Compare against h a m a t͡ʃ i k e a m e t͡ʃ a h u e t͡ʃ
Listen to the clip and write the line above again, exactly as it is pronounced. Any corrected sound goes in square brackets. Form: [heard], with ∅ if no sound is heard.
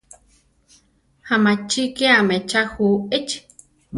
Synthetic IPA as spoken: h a m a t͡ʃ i k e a m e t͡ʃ a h u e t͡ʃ